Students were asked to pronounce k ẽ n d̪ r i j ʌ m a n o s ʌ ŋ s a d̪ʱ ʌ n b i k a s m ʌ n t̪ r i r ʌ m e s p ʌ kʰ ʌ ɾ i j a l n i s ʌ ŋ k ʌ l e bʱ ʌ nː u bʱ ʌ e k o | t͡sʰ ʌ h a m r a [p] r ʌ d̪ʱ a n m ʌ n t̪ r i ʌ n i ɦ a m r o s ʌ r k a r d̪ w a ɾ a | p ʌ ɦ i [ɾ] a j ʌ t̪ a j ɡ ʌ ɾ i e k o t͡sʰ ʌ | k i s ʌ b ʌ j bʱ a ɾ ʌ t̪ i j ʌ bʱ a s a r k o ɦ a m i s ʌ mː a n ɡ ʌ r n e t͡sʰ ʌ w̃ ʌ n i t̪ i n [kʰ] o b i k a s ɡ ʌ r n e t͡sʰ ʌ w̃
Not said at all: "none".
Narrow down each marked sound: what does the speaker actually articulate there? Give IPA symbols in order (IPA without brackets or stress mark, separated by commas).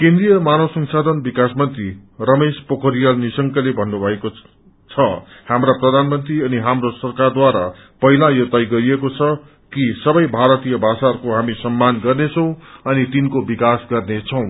p, l, k